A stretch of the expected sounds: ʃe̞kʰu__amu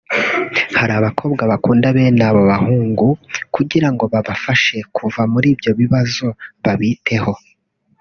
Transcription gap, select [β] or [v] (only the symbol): v